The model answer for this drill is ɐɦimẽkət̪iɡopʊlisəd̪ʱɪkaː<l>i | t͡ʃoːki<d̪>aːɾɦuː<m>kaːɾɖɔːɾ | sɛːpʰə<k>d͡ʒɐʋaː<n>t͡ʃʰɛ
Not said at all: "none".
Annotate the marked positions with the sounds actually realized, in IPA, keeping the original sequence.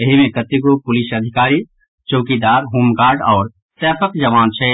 ɾ, d̪, m, k, n

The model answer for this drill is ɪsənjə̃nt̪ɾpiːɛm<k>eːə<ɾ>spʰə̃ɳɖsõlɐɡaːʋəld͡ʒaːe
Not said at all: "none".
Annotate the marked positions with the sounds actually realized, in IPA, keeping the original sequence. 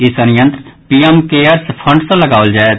k, ɾ

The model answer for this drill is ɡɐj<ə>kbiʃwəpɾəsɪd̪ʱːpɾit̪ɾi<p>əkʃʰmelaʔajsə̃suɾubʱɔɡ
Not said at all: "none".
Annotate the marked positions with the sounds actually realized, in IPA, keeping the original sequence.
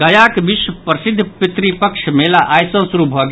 a, p

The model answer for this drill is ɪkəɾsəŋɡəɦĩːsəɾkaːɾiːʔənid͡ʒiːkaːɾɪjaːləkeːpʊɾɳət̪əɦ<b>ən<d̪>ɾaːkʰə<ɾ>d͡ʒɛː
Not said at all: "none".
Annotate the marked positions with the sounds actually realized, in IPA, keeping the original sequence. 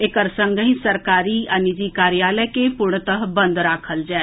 b, d̪, l

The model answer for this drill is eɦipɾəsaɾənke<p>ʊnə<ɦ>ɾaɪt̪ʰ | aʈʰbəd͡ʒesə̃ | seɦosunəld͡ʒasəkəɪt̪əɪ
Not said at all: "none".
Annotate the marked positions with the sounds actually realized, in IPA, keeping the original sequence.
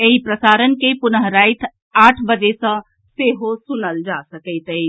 p, ɦ

